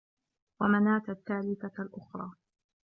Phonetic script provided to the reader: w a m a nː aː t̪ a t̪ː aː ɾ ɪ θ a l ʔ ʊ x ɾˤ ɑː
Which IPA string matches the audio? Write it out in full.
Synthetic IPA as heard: w a m a n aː t̪ a t̪ː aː l ɪ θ a l ʔ ʊ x ɾˤ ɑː